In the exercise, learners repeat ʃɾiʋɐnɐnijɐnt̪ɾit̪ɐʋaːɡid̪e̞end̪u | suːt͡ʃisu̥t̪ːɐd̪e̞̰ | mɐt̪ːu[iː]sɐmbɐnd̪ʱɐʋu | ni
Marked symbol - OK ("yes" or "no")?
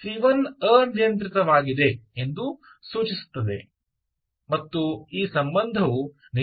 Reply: yes